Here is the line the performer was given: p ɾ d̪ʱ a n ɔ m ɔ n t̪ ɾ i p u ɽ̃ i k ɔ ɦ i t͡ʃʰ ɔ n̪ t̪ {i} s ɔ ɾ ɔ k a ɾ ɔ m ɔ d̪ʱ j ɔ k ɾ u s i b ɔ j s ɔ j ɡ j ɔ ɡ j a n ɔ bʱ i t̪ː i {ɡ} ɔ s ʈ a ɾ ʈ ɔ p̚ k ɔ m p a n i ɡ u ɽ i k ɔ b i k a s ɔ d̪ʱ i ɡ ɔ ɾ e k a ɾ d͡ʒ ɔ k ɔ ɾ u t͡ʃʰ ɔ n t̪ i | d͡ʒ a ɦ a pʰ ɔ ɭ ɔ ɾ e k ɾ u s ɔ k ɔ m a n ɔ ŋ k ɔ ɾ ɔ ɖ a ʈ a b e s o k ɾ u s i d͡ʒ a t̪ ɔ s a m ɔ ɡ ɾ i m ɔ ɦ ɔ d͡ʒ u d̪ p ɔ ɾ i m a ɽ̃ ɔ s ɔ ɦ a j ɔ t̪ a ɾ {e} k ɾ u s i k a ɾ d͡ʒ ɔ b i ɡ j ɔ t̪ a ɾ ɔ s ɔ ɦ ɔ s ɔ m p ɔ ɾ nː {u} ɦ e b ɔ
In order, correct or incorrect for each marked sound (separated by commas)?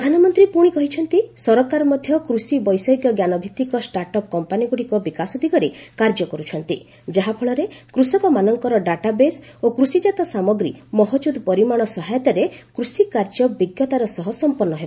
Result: correct, incorrect, correct, incorrect